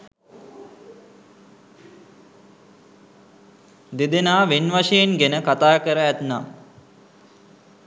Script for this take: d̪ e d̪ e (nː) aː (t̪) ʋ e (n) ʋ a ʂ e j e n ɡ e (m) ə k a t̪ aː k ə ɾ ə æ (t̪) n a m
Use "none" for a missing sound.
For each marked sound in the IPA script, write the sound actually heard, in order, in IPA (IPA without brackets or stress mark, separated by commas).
n, none, n, n, t̪